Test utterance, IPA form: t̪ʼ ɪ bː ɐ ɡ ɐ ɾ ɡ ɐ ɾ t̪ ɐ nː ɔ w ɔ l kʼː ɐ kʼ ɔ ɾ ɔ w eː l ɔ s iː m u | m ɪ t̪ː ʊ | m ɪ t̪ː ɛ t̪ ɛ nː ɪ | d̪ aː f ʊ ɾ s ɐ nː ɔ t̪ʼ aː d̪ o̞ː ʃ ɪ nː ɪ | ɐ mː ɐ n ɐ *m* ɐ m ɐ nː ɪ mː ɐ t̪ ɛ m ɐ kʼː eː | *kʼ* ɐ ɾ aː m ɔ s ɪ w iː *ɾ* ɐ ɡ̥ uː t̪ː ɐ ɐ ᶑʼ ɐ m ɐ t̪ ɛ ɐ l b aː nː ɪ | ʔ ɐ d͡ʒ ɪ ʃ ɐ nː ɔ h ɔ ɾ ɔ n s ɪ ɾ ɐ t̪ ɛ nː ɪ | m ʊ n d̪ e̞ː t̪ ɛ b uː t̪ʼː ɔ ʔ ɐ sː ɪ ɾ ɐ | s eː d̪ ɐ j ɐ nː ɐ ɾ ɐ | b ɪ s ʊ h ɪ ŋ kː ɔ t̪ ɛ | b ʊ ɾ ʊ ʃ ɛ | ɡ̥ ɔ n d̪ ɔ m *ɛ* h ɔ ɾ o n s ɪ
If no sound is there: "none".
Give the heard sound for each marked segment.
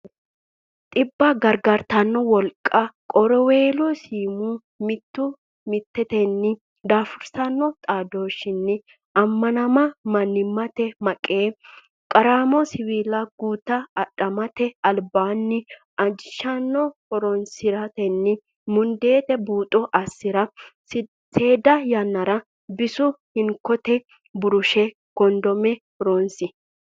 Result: m, kʼ, l, ɛ

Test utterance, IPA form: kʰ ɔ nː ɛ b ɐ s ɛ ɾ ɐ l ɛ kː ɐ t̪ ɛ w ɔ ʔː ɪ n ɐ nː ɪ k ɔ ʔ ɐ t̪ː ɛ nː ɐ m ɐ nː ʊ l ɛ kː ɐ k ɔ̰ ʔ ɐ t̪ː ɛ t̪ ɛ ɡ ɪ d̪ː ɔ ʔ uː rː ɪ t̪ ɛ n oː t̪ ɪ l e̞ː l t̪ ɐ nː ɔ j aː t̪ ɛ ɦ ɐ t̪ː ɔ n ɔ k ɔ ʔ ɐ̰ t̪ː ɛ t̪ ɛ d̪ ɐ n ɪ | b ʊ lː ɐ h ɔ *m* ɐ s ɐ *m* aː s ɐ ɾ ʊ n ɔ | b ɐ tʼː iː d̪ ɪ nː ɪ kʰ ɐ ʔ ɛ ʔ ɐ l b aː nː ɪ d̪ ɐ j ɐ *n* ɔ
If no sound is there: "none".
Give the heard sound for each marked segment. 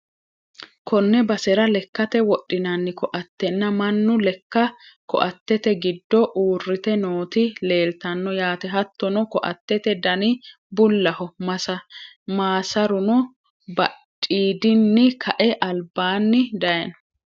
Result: m, m, n

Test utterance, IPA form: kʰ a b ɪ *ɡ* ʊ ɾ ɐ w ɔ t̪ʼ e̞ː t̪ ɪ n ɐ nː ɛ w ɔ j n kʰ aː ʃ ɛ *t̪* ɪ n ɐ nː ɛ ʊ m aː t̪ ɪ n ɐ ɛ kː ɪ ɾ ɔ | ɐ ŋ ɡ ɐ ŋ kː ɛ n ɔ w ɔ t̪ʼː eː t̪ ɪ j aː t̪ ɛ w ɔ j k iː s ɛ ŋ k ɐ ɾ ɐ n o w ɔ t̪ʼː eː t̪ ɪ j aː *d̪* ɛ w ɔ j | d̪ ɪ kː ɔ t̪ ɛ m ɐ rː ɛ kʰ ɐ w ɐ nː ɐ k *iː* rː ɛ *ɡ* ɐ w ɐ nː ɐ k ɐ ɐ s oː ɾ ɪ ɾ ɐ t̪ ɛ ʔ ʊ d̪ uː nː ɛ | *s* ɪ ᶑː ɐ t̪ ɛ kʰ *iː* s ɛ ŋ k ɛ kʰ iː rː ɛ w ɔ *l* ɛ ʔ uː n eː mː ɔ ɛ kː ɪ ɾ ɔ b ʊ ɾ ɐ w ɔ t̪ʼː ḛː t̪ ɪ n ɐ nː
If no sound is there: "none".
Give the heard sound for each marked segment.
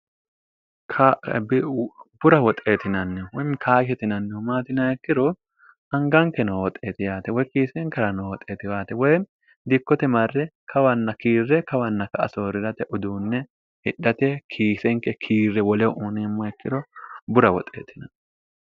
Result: b, t̪, t̪, iː, k, h, iː, l

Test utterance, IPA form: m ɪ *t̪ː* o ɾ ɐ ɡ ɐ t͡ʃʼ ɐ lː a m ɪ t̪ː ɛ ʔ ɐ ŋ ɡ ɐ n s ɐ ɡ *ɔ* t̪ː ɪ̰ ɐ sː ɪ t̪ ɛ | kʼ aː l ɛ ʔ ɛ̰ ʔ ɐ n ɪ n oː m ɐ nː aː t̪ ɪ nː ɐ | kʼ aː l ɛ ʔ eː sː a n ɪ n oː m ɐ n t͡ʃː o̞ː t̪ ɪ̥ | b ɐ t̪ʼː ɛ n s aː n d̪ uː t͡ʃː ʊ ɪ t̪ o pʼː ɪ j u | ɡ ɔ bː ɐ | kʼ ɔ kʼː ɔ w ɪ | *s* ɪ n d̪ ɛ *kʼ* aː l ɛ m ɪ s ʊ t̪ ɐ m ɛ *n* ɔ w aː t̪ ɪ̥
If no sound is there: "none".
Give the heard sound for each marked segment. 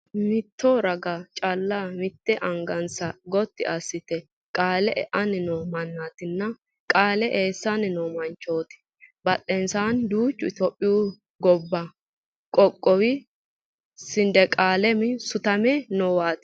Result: t̪ː, ɔ, s, kʼ, n

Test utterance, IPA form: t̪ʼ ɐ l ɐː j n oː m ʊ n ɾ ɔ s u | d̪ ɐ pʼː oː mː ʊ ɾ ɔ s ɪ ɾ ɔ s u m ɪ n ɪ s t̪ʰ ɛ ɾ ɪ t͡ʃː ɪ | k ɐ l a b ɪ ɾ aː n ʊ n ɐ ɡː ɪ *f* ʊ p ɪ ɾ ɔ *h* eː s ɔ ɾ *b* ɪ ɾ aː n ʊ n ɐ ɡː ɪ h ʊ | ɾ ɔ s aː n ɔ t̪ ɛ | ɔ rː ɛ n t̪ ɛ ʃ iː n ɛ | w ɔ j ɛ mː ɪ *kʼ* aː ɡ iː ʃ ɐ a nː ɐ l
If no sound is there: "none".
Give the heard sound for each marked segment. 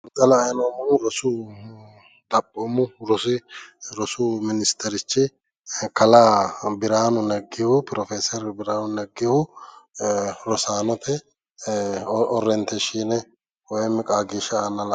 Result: h, f, b, kʼ

